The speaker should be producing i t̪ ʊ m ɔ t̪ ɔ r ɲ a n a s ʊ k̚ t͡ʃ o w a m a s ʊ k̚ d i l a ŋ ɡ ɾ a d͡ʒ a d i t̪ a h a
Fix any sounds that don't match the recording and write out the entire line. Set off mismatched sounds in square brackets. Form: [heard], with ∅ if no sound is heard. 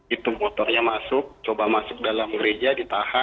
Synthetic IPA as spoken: i t̪ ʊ m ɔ t̪ ɔ r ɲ a [m] a s ʊ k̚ t͡ʃ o [b] a m a s ʊ k̚ d [a] l a [m] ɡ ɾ [e] d͡ʒ a d i t̪ a h a